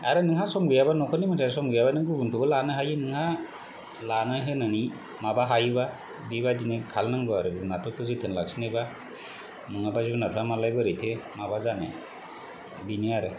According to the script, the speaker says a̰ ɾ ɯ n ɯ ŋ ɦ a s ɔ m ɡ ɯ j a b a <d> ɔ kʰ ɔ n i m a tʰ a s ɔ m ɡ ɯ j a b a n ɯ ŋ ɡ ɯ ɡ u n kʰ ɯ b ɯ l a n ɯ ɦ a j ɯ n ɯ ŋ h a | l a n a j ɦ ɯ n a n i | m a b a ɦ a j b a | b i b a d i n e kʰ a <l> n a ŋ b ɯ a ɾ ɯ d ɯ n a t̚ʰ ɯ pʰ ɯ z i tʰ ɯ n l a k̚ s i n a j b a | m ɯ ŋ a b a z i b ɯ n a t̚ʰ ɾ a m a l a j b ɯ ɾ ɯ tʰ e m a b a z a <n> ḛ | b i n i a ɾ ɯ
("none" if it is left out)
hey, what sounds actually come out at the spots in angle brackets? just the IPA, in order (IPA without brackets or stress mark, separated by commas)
n, l, n